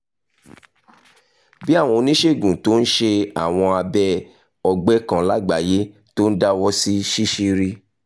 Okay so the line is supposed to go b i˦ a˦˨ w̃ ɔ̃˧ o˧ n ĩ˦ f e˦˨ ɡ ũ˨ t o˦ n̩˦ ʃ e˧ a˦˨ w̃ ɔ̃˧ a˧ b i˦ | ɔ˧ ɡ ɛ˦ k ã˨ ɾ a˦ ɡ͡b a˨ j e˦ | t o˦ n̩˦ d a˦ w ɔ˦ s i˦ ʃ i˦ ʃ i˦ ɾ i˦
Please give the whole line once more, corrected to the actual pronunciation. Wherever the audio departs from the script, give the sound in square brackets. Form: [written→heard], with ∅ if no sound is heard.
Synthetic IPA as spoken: b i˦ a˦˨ w̃ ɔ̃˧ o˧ n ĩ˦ [f→ʃ] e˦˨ ɡ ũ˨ t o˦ n̩˦ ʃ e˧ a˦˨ w̃ ɔ̃˧ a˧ b [i˦→ɛ˦] | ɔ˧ [ɡ→ɡ͡b] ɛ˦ k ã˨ [ɾ→l] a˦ ɡ͡b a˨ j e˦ | t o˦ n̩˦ d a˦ w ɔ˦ s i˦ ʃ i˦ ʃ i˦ ɾ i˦